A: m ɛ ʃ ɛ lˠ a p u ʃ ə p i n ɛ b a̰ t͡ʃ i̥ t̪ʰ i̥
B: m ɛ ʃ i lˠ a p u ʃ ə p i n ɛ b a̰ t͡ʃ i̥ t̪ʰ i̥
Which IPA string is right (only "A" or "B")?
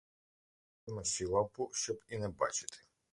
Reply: B